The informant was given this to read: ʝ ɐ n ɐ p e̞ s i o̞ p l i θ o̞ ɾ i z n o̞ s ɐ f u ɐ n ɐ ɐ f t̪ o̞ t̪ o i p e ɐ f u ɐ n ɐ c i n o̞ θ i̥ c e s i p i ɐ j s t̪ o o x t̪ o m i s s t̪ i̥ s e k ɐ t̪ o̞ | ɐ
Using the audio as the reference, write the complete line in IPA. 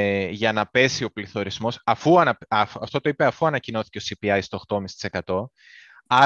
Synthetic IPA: ʝ ɐ n ɐ p e̞ s i o̞ p l i θ o̞ ɾ i z m o̞ s ɐ f u ɐ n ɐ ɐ f t̪ o̞ t̪ o i p e ɐ f u ɐ n ɐ c i n o̞ θ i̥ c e s i p i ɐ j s t̪ o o x t̪ o m i s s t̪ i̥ s e k ɐ t̪ o̞ | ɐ